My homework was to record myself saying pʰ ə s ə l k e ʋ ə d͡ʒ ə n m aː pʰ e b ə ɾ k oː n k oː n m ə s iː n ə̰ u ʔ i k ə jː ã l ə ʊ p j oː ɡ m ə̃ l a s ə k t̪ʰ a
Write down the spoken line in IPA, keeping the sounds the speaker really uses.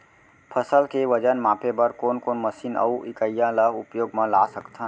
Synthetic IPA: pʰ ə s ə l k e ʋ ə d͡ʒ ə n m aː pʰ e b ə ɾ k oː n k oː n m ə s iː n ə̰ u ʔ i k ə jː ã l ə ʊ p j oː ɡ m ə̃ l a s ə k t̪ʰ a